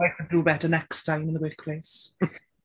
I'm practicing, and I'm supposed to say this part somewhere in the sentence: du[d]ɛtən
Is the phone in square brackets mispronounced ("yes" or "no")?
yes